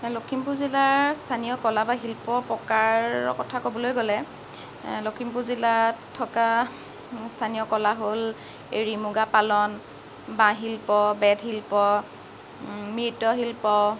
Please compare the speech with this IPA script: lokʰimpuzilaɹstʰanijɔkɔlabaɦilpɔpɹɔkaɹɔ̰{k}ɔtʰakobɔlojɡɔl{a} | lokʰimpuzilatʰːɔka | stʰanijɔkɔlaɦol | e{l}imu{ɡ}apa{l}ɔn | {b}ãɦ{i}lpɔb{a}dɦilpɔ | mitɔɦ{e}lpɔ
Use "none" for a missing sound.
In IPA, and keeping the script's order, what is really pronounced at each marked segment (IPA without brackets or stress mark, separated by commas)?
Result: k, ɛ, ɹ, ɡ, l, b, i, ɛ, i